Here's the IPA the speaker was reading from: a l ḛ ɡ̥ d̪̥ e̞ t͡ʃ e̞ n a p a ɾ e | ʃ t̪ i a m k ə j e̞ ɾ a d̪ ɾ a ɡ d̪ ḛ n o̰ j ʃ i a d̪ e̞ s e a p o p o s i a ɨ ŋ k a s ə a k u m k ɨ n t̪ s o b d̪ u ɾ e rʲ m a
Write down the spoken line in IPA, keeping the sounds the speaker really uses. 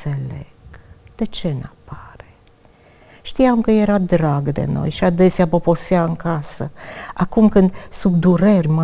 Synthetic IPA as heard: e l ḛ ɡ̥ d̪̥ e̞ t͡ʃ e̞ n a p a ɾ e | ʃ t̪ i a m k ə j e̞ ɾ a d̪ ɾ a ɡ d̪ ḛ n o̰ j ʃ i a d̪ e̞ s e a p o p o s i a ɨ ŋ k a s ə a k u m k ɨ n d̪ s u b d̪ u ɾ e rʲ m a